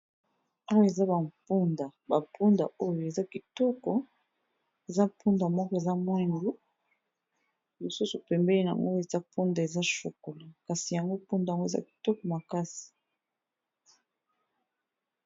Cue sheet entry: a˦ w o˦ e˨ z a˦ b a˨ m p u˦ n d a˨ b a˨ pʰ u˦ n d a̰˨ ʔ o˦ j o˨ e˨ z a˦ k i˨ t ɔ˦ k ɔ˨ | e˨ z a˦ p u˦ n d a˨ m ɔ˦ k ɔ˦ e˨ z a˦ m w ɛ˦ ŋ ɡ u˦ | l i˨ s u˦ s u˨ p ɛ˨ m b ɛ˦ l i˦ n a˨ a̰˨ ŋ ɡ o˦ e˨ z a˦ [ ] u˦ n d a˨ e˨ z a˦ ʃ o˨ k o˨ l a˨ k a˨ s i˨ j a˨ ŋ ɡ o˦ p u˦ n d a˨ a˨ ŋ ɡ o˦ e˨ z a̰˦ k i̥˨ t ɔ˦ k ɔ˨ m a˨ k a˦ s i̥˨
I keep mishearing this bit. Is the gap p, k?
p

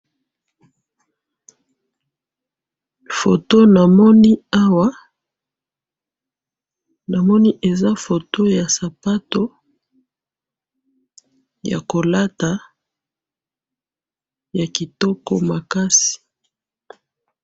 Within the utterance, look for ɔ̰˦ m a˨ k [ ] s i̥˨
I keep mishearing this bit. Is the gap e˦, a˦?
a˦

